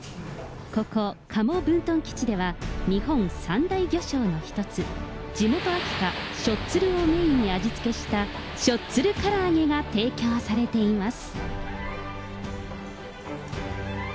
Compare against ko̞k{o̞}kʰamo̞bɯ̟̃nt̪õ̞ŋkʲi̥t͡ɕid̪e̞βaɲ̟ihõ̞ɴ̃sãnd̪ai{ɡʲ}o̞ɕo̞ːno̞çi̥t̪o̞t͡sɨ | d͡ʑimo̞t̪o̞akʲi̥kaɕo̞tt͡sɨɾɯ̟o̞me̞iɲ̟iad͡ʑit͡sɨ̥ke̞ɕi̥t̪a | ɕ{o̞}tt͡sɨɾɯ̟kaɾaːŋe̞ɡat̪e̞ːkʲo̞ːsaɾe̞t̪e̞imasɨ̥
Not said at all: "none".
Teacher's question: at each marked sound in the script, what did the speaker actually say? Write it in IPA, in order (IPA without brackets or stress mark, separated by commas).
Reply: o̞, ɡʲ, o̞